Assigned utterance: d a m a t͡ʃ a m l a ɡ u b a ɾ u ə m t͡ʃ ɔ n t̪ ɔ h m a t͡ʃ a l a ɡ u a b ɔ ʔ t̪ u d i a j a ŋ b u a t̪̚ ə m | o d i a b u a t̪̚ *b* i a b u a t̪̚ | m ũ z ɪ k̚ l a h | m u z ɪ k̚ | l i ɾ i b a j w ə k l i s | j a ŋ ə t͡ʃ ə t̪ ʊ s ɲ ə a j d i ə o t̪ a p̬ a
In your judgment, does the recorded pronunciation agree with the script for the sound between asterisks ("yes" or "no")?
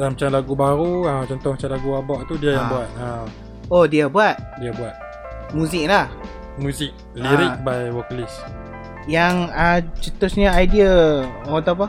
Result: no